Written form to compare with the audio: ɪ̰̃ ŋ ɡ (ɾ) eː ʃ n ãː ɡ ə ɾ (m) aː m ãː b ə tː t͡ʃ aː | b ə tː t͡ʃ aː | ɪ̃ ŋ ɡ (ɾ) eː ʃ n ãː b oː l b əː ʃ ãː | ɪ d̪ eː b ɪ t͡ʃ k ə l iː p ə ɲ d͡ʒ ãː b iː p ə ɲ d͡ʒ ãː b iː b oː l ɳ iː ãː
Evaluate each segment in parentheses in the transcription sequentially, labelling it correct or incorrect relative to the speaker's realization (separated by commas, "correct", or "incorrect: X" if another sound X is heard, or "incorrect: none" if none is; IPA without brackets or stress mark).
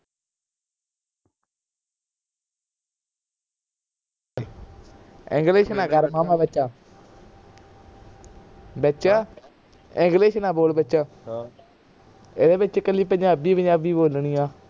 incorrect: l, correct, incorrect: l